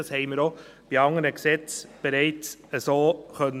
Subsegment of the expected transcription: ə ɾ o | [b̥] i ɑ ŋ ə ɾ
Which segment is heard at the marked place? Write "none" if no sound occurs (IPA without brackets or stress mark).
b̥